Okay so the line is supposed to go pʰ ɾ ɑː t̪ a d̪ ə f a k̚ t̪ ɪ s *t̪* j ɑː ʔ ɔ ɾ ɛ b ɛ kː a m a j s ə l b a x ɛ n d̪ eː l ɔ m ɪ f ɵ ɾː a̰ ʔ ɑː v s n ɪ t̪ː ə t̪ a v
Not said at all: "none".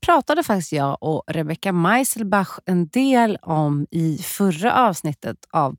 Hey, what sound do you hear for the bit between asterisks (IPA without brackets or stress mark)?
t̪